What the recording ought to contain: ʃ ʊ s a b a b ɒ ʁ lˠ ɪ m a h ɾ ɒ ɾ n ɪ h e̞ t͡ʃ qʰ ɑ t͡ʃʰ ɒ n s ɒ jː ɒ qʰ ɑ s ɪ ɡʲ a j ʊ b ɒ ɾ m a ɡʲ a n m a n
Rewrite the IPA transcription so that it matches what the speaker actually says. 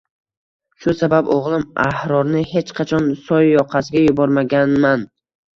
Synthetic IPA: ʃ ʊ s a b a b o ʁ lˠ ɪ m a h ɾ ɒ ɾ n ɪ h e̞ t͡ʃ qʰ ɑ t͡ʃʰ ɒ n s ɒ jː ɒ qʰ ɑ s ɪ ɡʲ a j ʊ b ɒ ɾ m a ɡʲ a n m a n